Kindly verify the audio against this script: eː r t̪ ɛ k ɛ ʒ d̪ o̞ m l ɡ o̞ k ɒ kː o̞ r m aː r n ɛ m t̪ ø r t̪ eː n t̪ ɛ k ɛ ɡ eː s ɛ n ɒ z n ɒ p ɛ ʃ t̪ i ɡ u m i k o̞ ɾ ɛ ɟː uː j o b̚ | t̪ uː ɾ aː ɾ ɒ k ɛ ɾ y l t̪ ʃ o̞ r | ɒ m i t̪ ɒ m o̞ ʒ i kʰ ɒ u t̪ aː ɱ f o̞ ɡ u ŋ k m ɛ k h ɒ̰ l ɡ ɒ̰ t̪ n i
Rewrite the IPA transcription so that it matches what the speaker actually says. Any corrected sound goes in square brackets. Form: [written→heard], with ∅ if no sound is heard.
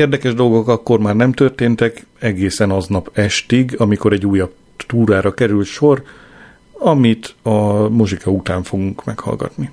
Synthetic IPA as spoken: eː r [t̪→d̪] ɛ k ɛ ʒ d̪ o̞ [m→∅] l ɡ o̞ k ɒ kː o̞ r m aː r n ɛ m t̪ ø r t̪ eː n t̪ ɛ k ɛ ɡ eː s ɛ n ɒ z n ɒ p ɛ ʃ t̪ i ɡ [u→ɒ] m i k o̞ ɾ ɛ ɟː uː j [o→ɒ] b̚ | t̪ uː ɾ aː ɾ ɒ k ɛ ɾ y l t̪ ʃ o̞ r | ɒ m i t̪ ɒ m o̞ ʒ i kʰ ɒ u t̪ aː ɱ f o̞ ɡ u ŋ k m ɛ k h ɒ̰ l ɡ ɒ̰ t̪ n i